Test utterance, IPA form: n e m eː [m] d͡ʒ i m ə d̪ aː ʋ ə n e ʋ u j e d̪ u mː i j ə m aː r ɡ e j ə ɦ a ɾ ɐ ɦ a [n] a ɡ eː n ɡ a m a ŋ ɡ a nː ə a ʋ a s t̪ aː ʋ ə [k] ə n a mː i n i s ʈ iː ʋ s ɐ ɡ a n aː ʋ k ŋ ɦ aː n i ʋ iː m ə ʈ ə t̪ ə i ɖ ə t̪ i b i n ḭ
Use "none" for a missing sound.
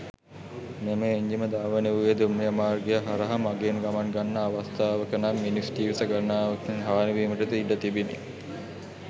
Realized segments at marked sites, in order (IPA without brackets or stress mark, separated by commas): ɲ, m, k